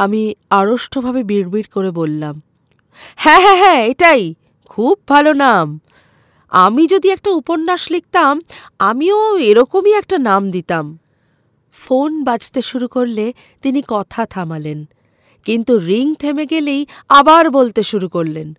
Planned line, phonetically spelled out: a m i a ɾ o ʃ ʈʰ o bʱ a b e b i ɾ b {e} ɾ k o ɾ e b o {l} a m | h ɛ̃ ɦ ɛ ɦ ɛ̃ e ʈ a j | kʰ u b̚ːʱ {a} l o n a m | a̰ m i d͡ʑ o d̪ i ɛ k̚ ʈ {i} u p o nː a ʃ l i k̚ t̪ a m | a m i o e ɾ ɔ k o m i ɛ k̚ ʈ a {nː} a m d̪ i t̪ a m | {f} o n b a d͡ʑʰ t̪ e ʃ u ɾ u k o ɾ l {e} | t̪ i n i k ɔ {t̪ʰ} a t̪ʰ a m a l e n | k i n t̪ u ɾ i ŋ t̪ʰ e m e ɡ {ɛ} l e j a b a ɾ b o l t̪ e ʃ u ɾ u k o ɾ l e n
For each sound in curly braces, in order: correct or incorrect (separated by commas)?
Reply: incorrect, incorrect, correct, incorrect, incorrect, correct, correct, correct, incorrect